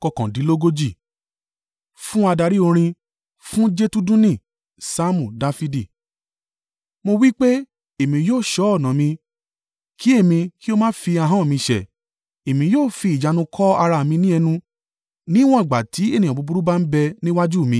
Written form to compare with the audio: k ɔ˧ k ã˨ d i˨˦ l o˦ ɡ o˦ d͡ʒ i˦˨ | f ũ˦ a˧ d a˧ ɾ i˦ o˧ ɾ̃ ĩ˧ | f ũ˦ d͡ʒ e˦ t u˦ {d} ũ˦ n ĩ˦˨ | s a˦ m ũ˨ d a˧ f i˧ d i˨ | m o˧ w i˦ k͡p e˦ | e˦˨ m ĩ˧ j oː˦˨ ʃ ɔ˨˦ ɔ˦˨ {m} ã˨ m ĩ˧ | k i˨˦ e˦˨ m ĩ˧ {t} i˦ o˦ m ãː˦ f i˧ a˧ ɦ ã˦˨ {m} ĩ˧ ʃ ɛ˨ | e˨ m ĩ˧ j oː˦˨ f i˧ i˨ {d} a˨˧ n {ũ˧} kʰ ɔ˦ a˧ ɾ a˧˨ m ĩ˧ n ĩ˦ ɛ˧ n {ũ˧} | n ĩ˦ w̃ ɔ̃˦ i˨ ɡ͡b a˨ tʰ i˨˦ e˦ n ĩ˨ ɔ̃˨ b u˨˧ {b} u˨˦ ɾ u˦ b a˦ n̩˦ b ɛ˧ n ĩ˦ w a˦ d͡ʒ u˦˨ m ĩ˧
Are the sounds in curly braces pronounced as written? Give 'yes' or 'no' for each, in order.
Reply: yes, no, no, yes, no, yes, yes, yes

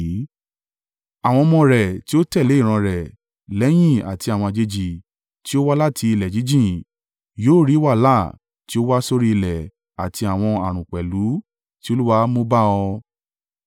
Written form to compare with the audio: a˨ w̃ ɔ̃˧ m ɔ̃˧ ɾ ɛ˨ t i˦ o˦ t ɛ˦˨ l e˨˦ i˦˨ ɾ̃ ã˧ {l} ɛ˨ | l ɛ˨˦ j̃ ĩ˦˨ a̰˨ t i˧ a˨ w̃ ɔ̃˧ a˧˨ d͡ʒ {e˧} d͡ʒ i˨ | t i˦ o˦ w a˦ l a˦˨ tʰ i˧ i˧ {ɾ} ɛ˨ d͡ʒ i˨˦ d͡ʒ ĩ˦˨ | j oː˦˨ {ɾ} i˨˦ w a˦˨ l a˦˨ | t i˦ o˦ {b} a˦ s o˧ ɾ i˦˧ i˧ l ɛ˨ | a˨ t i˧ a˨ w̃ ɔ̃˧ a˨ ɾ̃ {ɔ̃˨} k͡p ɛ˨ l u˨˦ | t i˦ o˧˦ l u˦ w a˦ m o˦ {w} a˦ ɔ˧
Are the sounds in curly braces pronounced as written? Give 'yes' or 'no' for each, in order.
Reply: no, yes, no, yes, no, no, no

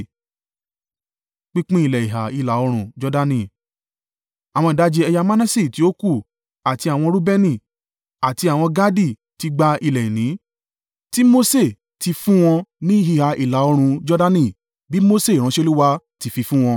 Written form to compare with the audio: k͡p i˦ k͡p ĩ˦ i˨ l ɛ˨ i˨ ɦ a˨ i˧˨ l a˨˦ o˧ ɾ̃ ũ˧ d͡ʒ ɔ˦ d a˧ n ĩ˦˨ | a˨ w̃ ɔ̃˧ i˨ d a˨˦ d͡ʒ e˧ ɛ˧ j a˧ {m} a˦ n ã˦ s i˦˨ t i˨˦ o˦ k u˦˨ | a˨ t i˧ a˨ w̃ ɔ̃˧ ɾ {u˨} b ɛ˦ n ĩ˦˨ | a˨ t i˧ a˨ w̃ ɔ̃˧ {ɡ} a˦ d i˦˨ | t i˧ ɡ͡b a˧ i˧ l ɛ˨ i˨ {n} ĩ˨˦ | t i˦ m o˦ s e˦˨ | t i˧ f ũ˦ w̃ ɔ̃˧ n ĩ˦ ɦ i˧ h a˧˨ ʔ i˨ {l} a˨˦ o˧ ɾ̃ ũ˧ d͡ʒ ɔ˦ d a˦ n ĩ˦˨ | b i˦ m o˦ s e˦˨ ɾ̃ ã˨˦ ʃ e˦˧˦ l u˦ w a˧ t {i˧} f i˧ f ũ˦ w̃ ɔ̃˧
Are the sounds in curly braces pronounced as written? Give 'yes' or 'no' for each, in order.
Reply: yes, no, yes, yes, yes, yes

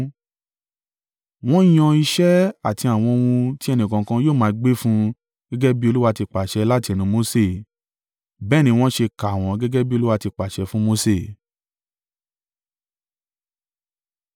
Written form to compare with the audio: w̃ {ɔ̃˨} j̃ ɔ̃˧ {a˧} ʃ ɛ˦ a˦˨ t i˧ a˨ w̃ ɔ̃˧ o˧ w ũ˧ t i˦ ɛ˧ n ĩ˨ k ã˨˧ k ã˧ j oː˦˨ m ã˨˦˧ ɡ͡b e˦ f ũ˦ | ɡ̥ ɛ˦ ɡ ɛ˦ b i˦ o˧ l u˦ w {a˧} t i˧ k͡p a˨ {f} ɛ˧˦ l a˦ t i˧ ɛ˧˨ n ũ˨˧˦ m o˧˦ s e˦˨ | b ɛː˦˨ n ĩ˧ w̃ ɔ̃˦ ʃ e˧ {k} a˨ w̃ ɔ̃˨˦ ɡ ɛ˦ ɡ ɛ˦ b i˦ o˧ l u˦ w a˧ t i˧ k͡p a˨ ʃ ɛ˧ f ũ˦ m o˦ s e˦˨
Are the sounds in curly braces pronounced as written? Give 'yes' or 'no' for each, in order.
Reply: no, no, yes, no, yes

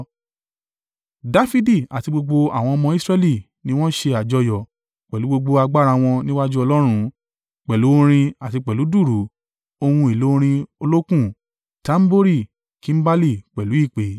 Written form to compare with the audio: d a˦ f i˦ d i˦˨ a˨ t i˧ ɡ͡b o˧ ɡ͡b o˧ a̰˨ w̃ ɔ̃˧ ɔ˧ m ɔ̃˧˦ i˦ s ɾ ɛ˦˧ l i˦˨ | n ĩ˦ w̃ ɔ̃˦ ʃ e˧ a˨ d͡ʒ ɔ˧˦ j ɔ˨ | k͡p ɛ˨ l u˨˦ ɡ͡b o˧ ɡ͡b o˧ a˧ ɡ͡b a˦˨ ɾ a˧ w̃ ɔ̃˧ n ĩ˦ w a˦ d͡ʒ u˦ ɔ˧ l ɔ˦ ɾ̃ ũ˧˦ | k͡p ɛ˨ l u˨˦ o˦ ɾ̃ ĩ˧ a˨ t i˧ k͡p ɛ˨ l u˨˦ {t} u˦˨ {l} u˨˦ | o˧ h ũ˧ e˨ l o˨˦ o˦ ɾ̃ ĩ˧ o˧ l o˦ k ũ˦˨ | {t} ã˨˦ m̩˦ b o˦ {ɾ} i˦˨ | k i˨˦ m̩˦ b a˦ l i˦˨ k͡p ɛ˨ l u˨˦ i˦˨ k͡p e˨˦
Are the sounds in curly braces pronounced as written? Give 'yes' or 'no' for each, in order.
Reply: no, no, yes, yes

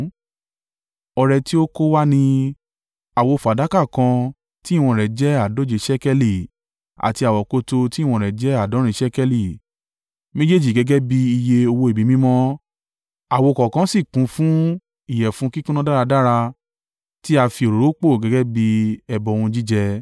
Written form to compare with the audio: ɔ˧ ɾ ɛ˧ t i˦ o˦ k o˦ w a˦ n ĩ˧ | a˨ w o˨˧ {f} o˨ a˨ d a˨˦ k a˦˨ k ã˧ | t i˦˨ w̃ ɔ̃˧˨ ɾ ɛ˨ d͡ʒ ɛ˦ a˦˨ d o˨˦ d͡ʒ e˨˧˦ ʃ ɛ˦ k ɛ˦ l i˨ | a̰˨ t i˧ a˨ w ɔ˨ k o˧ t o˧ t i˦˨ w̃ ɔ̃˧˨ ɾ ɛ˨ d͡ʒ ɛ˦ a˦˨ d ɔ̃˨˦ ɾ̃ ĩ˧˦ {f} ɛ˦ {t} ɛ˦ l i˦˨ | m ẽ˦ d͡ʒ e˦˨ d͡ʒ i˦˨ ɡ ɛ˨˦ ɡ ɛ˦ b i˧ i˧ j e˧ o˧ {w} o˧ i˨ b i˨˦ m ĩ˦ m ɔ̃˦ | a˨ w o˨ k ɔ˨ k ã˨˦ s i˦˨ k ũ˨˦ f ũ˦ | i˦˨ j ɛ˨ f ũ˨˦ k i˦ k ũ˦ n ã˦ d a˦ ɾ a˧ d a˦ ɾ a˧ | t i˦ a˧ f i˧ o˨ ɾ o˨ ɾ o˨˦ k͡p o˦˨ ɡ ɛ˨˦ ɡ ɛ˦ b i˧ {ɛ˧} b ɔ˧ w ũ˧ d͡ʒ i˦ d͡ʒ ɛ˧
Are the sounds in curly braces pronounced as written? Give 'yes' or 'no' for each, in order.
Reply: yes, no, no, yes, yes

